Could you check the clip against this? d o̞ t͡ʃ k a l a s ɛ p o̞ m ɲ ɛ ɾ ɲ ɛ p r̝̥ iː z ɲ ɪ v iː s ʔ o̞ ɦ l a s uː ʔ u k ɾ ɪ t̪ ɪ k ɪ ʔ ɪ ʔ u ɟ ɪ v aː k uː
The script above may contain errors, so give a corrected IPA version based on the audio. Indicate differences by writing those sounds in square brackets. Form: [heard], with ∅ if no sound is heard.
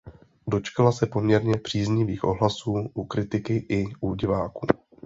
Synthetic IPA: d o̞ t͡ʃ k a l a s ɛ p o̞ m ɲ ɛ ɾ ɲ ɛ p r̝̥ iː z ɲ ɪ v iː [x] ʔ o̞ ɦ l a s uː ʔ u k ɾ ɪ t̪ ɪ k ɪ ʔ ɪ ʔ u ɟ ɪ v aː k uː